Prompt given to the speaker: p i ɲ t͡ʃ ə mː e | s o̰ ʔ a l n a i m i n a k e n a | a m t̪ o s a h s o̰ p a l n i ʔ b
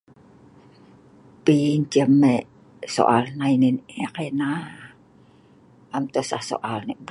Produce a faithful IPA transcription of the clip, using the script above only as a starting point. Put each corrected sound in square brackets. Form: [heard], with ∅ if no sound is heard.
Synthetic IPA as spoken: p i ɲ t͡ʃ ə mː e | s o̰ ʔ a l n a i [n] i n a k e n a | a m t̪ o s a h s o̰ [ʔ] a l n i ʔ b